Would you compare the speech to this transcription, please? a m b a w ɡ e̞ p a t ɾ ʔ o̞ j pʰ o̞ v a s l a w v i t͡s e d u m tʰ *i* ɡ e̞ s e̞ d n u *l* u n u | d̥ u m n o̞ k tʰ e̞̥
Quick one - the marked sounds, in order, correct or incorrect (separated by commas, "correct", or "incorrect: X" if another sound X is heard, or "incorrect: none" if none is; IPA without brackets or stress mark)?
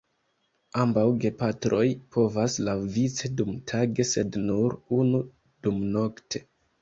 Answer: incorrect: a, incorrect: ɾ